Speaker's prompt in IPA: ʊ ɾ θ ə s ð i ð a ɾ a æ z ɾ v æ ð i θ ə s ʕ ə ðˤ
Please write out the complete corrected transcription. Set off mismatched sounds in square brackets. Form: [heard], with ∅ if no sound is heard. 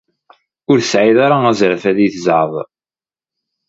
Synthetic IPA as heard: ʊ ɾ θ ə s [ʕ] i ð a ɾ a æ z ɾ [f] æ ð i θ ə [z] ʕ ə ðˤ